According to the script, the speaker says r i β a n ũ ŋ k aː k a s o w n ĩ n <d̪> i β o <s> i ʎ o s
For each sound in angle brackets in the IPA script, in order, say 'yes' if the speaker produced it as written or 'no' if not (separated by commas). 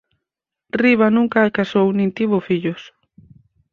no, no